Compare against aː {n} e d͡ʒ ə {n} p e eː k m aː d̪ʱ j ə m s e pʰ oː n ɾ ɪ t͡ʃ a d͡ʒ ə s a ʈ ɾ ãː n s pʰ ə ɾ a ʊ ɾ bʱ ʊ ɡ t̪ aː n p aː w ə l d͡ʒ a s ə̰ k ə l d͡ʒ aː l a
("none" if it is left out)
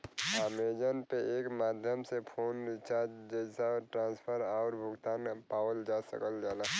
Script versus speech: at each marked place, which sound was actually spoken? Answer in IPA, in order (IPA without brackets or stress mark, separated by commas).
m, n